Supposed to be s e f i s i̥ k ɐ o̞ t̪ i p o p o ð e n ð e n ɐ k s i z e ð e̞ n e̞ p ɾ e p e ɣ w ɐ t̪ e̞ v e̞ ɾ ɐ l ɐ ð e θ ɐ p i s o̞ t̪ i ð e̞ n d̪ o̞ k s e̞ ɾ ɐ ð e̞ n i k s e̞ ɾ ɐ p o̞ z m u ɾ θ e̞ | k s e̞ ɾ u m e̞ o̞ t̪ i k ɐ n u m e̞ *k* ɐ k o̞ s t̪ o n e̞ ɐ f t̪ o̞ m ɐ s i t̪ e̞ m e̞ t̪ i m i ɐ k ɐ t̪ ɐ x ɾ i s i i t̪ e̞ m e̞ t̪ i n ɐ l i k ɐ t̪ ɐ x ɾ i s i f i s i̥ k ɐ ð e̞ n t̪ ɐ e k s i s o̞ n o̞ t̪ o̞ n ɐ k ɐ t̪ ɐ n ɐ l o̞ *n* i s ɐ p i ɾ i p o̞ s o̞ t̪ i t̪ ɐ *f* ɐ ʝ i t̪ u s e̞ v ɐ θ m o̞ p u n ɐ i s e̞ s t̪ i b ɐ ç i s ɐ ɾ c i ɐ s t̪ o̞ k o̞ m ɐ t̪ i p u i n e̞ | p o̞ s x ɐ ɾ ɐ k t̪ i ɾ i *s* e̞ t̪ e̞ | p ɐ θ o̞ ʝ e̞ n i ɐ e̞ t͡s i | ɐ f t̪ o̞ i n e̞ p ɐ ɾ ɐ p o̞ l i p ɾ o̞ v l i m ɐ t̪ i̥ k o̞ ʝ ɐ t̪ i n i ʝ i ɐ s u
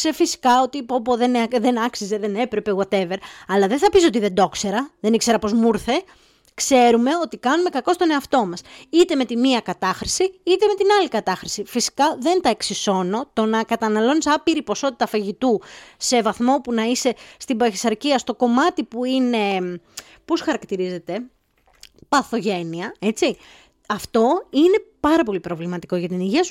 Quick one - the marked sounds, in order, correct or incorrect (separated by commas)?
correct, correct, correct, incorrect